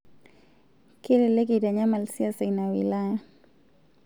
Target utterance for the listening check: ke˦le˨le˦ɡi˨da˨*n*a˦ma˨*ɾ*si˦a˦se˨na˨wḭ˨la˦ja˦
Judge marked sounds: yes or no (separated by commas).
no, no